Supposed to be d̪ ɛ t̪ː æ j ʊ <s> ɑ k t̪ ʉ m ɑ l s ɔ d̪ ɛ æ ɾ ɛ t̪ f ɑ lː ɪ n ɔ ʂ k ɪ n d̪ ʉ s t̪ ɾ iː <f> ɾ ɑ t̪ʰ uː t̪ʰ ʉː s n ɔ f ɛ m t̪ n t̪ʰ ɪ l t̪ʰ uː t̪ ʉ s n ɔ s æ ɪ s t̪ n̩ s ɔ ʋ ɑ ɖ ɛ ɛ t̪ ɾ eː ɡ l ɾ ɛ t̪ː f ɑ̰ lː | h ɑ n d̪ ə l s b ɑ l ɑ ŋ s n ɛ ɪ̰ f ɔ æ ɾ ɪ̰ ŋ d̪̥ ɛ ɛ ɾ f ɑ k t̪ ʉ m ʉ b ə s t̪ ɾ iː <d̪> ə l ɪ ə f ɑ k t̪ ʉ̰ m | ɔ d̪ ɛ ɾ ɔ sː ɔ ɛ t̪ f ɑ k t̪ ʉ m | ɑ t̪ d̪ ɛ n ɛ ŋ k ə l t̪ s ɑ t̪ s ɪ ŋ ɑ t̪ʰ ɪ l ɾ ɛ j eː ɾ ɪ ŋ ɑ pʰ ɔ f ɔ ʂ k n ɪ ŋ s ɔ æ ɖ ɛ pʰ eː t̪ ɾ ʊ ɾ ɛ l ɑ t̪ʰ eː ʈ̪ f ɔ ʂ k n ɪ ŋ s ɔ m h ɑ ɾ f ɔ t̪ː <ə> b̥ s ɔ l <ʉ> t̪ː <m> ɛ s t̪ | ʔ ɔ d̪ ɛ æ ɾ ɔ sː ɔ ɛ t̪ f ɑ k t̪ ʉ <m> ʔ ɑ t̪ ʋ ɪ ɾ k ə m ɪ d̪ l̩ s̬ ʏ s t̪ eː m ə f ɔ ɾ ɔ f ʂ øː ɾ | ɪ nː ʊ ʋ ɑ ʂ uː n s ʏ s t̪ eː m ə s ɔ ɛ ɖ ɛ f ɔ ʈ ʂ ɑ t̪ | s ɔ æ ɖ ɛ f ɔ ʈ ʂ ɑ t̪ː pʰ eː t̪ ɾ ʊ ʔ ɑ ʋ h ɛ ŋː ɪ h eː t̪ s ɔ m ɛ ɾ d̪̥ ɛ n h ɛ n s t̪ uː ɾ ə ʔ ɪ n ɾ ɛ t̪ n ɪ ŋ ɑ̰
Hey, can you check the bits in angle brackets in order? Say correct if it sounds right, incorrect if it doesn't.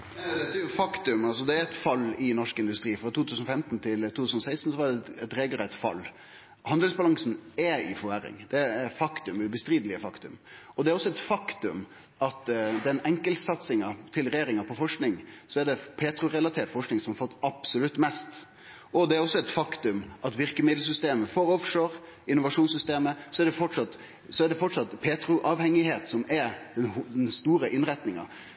incorrect: f, correct, correct, incorrect: ɑ, correct, correct, correct

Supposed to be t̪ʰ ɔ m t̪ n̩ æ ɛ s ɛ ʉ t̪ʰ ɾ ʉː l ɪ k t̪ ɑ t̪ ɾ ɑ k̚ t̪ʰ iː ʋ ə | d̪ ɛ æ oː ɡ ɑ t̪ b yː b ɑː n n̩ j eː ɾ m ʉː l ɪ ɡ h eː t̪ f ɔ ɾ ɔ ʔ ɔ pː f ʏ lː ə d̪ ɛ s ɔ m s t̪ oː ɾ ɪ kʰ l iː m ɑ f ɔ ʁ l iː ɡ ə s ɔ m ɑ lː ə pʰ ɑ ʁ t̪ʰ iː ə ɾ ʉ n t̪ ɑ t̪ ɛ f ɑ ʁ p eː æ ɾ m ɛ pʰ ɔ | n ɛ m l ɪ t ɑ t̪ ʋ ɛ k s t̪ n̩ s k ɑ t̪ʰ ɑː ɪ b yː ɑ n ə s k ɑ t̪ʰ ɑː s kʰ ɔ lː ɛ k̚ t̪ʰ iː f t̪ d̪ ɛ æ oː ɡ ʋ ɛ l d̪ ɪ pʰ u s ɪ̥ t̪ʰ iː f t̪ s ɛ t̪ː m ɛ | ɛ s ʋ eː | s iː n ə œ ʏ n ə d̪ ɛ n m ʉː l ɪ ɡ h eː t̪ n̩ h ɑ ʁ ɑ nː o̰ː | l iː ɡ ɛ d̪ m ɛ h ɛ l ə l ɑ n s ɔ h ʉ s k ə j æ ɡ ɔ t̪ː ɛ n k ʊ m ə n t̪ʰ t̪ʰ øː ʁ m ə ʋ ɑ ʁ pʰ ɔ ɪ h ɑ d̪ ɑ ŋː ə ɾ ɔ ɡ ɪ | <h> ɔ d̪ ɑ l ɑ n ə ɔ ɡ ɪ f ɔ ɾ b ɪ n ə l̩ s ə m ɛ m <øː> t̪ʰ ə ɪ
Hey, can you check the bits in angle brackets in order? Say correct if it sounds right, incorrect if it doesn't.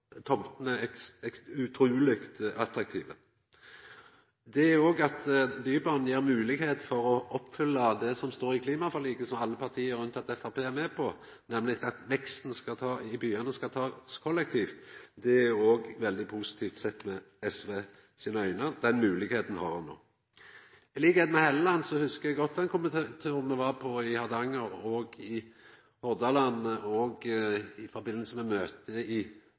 correct, correct

